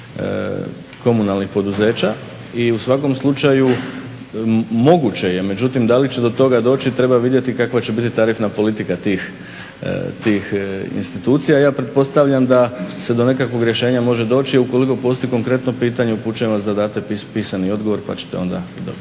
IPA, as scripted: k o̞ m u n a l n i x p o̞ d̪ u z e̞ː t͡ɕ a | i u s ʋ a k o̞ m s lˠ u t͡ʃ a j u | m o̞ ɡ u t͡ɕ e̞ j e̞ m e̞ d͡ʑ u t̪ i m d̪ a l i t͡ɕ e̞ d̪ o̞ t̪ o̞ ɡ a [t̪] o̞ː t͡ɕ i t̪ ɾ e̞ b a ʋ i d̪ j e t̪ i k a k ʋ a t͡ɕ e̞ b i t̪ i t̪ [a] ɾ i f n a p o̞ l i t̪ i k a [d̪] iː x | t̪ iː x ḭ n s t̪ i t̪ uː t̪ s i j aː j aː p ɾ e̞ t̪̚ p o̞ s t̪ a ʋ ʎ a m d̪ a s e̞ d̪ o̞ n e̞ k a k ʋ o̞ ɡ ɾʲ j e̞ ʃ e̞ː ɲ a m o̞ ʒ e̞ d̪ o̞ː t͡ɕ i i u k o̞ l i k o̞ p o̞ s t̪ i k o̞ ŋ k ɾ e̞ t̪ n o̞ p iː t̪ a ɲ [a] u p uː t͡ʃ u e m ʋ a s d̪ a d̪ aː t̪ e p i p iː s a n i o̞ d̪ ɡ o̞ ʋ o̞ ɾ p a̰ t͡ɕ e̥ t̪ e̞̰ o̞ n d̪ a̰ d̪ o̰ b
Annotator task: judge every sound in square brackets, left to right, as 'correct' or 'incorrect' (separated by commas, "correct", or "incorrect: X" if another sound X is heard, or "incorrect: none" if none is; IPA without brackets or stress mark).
incorrect: d̪, correct, incorrect: t̪, incorrect: e